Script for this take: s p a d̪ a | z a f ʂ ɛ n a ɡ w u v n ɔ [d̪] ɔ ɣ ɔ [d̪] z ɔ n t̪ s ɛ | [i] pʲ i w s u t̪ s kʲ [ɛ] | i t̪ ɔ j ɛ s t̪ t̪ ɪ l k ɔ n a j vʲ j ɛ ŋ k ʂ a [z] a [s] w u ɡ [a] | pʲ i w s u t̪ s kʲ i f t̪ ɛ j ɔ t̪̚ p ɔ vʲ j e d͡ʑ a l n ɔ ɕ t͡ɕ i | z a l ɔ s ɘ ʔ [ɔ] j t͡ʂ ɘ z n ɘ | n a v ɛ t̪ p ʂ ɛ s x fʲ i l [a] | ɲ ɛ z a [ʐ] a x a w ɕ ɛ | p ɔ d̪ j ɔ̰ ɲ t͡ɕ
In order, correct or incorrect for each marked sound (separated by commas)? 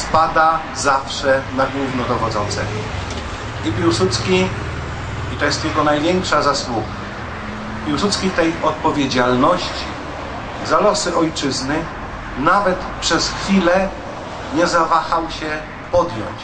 correct, correct, correct, incorrect, correct, correct, correct, correct, incorrect, incorrect